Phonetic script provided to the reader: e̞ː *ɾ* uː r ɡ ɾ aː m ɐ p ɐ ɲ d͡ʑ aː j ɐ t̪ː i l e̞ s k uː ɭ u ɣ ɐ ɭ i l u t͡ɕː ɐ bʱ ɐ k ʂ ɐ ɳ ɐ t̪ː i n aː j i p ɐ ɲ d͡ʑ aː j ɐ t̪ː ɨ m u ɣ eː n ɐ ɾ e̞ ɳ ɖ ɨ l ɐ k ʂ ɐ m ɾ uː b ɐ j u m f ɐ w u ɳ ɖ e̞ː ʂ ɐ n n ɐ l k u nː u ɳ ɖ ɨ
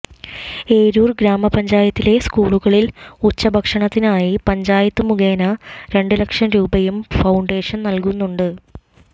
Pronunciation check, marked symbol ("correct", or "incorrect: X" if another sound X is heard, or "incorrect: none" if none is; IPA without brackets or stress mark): correct